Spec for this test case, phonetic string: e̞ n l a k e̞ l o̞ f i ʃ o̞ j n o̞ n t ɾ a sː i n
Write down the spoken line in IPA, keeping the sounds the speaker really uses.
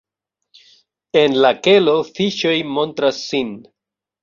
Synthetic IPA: e̞ n l a k e̞ l o̞ f i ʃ o̞ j m o̞ n t ɾ a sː i n

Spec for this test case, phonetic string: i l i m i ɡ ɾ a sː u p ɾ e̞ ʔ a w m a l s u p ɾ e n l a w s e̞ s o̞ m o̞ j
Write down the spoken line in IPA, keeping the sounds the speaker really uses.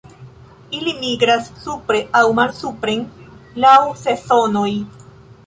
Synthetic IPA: i l i m i ɡ ɾ a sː u p ɾ e̞ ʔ a w m a l s u p ɾ e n l a w s e̞ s o̞ n o̞ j

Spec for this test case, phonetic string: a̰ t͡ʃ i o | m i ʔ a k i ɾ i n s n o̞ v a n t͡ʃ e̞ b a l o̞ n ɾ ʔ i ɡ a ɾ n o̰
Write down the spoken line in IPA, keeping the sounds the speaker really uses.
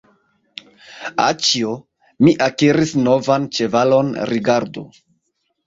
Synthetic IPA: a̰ t͡ʃ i o | m i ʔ a k i ɾ i s n o̞ v a n t͡ʃ e̞ v a l o̞ n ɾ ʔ i ɡ a ɾ d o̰

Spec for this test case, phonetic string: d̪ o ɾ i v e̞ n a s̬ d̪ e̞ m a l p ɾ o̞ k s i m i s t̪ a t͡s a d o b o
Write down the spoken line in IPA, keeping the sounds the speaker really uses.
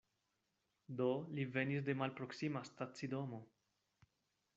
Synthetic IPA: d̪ o l i v e̞ n i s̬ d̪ e̞ m a l p ɾ o̞ k s i m a s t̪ a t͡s i d o m o

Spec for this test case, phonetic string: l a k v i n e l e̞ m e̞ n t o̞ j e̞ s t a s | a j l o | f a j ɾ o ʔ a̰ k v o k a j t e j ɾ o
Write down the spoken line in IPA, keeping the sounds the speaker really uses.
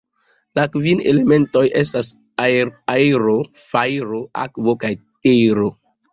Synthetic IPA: l a k v i n e l e̞ m e̞ n t o̞ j e̞ s t a s | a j ɾ o | f a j ɾ o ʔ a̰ k v o k a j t e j ɾ o

